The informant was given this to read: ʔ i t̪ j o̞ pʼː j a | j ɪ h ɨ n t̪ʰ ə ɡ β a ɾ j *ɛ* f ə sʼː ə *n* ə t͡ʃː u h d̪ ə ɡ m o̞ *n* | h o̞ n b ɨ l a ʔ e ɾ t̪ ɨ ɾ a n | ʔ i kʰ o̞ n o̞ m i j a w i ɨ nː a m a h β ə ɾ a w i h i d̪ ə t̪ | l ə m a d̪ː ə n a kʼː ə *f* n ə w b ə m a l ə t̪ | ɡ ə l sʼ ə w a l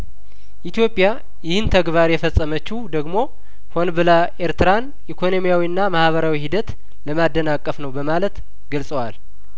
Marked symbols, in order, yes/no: yes, no, no, yes

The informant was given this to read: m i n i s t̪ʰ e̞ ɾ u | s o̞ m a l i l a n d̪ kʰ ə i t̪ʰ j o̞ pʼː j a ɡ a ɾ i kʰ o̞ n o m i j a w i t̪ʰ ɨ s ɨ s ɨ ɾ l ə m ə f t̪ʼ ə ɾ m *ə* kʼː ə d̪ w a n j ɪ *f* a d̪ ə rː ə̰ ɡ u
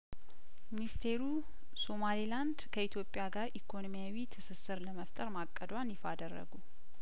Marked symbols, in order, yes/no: no, yes

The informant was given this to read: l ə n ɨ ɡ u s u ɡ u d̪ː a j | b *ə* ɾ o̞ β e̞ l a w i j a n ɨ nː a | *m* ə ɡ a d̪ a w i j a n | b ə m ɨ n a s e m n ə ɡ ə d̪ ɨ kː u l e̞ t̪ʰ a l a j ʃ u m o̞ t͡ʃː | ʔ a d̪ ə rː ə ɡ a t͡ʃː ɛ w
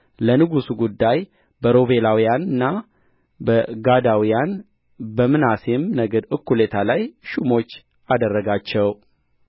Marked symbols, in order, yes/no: yes, no

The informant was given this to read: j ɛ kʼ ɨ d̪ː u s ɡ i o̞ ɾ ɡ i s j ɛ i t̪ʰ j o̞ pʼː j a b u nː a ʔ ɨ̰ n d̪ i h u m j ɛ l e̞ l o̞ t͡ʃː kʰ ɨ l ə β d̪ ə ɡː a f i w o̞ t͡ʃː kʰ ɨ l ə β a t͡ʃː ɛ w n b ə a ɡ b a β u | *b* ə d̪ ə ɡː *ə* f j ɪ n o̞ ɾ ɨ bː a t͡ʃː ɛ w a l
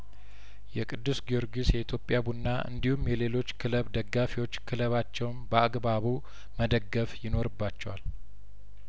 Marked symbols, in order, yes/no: no, yes

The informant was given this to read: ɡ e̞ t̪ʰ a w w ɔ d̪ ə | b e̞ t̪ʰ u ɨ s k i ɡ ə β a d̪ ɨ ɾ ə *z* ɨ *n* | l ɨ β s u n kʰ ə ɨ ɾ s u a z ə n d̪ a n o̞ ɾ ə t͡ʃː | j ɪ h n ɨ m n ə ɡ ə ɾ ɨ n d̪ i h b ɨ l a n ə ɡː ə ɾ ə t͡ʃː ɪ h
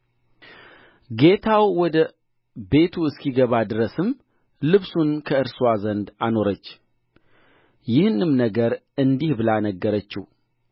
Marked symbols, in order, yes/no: no, no

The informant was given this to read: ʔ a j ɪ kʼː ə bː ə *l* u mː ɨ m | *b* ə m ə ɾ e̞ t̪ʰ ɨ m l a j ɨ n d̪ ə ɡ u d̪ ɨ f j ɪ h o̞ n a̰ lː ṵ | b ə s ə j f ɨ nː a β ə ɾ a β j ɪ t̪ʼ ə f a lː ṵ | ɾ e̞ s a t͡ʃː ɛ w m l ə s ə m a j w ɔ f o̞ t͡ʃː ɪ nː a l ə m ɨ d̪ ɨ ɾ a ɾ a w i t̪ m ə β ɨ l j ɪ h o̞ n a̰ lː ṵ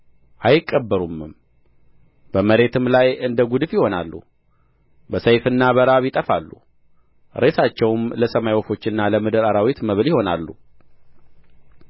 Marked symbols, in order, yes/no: no, yes

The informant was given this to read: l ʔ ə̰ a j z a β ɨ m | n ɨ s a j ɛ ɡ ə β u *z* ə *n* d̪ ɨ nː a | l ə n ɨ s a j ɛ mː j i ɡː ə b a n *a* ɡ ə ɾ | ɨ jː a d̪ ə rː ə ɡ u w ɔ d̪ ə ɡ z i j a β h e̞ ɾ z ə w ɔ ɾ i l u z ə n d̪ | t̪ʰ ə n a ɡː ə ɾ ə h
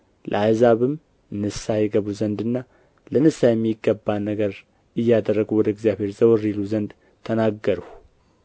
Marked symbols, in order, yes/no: yes, yes, no

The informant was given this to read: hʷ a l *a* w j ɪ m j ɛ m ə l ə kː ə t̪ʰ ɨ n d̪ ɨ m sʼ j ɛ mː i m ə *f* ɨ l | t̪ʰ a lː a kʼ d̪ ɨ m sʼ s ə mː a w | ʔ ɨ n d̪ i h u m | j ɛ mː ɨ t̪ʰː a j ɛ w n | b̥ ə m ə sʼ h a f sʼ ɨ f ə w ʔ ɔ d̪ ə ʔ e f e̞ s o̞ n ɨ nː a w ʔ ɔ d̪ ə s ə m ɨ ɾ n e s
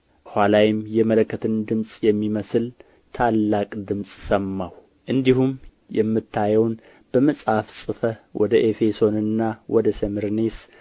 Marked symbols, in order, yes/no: yes, no

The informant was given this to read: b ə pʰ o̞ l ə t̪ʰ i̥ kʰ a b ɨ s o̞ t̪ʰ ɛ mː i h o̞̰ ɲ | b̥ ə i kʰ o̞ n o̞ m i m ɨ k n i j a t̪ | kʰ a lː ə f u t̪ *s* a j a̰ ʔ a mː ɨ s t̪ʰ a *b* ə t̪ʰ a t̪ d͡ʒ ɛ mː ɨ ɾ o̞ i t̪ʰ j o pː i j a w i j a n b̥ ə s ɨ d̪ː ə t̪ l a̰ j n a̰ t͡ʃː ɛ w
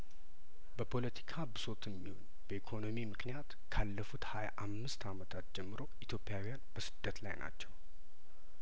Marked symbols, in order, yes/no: no, no

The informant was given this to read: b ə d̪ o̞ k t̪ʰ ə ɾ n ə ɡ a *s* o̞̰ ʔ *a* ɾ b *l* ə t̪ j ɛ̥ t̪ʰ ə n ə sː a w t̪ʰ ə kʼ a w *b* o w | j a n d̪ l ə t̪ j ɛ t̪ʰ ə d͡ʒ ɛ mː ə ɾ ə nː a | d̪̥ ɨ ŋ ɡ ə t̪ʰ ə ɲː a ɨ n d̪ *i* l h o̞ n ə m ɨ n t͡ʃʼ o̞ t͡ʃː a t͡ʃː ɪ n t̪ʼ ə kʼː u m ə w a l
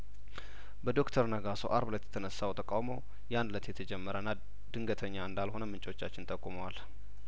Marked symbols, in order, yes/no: yes, yes, yes, no, no

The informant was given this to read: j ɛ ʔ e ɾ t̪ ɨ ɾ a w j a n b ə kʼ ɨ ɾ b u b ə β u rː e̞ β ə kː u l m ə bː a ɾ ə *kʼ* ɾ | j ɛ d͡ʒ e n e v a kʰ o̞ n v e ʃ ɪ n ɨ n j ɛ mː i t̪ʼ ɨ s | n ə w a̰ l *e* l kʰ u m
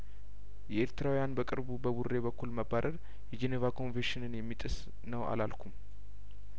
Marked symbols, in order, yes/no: no, no

